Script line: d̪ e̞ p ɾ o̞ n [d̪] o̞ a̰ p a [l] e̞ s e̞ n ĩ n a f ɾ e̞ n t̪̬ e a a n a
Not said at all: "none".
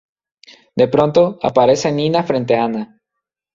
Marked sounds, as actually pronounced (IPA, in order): t̪, ɾ

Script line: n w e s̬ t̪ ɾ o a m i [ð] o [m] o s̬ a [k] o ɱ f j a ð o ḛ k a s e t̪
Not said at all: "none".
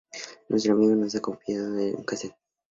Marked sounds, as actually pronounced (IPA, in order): ɣ, n, k

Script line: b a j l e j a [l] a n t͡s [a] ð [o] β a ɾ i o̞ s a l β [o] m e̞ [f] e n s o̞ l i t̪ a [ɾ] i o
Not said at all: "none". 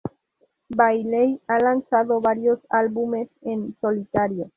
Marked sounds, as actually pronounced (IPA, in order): l, a, o, u, s, ɾ

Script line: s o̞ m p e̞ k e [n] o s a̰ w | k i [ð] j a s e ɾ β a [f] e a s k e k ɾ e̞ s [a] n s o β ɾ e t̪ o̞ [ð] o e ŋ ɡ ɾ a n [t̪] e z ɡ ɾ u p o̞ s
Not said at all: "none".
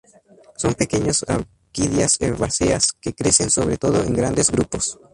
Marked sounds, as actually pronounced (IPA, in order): ɲ, ð, s, e, ð, d̪

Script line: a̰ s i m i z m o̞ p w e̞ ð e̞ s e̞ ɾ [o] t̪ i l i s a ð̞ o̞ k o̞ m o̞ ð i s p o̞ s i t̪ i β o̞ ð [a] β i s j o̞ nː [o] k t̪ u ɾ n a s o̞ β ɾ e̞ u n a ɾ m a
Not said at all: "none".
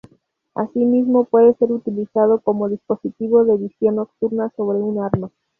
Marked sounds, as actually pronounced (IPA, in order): u, e, o

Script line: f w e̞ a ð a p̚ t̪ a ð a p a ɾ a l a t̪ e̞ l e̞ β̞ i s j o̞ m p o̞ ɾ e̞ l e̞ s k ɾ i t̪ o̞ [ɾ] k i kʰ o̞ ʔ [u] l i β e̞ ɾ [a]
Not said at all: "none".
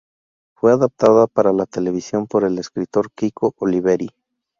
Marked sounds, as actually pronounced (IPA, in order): ɾ, o, i

